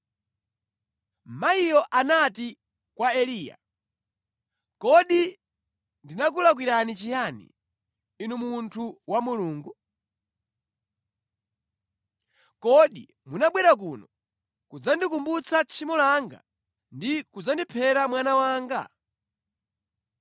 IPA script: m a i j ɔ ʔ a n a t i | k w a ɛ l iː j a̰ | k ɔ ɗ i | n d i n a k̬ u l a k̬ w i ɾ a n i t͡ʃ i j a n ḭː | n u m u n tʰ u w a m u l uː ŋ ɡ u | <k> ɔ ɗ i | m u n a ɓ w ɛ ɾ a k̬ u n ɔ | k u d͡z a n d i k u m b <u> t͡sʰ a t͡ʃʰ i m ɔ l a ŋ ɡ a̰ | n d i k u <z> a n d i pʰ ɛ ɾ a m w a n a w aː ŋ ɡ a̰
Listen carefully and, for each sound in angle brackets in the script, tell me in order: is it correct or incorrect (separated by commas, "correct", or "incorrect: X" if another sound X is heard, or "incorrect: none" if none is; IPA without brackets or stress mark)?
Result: correct, correct, incorrect: d͡z